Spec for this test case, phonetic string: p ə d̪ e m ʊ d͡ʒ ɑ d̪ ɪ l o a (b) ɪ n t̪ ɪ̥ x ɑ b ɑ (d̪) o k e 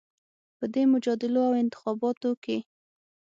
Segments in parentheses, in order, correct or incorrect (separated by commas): incorrect, incorrect